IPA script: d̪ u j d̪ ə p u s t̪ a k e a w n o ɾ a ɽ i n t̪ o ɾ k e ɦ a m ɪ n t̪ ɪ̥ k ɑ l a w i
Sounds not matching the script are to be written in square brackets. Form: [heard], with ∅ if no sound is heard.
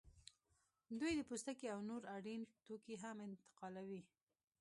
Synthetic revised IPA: d̪ u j d̪ ə p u s t̪ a k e a w n o ɾ a ɽ i n t̪ o [∅] k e ɦ a m ɪ n t̪ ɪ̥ [q] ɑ l a w i

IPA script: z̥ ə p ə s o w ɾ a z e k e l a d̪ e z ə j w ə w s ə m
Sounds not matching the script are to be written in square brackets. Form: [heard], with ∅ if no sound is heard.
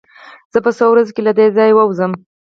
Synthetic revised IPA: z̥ ə p ə s o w ɾ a z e k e l a d̪ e z [ɑ] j w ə w [z] ə m

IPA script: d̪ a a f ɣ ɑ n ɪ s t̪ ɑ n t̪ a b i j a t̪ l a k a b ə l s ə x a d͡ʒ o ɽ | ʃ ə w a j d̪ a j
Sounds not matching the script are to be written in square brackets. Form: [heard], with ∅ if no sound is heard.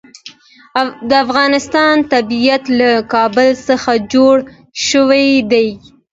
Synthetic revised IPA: d̪ [ə] a f ɣ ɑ n ɪ s t̪ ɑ n t̪ a b i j a t̪ l a k [ɑ] b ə l s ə x a d͡ʒ o ɽ | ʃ ə w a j d̪ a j

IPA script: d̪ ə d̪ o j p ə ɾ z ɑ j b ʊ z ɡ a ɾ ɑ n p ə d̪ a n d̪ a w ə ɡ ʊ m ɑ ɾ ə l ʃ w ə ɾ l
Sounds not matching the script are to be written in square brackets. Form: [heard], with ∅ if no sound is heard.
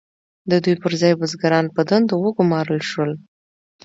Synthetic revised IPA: d̪ ə d̪ [u] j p ə ɾ z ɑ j b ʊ z ɡ a ɾ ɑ n p ə d̪ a n d̪ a w ə ɡ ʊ m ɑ ɾ ə l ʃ w ə [∅] l

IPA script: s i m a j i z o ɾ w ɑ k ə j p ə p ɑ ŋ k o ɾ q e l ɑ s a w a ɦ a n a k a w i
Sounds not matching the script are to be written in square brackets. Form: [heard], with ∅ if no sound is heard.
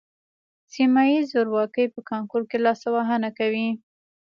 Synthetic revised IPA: s i m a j i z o ɾ w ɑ k ə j p ə [k] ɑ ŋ k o ɾ [k] e l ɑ s a w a ɦ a n a k a w i

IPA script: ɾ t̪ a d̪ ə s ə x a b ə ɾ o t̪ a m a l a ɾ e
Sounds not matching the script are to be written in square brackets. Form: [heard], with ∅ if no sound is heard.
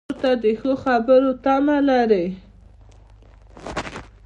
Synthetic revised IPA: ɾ t̪ a d̪ ə [x] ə x a b ə ɾ o t̪ a m a l a ɾ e

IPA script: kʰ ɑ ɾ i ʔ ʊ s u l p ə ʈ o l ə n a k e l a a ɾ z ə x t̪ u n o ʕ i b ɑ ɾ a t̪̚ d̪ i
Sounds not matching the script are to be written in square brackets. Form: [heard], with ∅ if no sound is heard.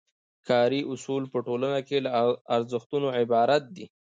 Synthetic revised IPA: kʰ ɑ ɾ i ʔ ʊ s u l p ə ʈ o l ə n a k e l a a ɾ z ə x t̪ u n o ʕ [ɪ] b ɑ ɾ a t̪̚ d̪ i

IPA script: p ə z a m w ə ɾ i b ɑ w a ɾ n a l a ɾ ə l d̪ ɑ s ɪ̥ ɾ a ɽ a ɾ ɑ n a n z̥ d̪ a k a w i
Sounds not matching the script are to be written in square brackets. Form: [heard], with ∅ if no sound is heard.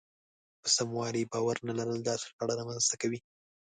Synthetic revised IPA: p ə [s] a m w [ɑ] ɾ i b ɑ w a ɾ n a l a ɾ ə l d̪ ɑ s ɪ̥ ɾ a ɽ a ɾ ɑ [m] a n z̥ [t̪] a k a w i

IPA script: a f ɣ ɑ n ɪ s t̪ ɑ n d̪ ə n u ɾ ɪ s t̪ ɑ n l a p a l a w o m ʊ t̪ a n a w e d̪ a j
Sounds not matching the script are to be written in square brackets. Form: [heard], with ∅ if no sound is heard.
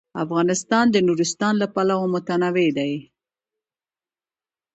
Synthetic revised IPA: a f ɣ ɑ n ɪ s t̪ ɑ n d̪ ə n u ɾ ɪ s t̪ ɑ n l a p a l a w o m ʊ t̪ a n a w e d̪ a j

